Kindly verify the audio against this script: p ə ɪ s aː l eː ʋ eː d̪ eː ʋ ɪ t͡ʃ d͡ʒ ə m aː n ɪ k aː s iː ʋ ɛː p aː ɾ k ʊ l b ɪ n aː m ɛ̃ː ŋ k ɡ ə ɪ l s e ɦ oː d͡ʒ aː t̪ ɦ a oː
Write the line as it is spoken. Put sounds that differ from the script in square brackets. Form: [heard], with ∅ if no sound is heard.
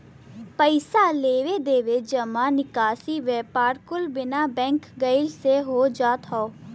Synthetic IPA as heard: p ə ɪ s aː l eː ʋ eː d̪ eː ʋ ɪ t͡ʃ d͡ʒ ə m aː n ɪ k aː s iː ʋ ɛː p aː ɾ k ʊ l b ɪ n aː [b] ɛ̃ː ŋ k ɡ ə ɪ l s e ɦ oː d͡ʒ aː t̪ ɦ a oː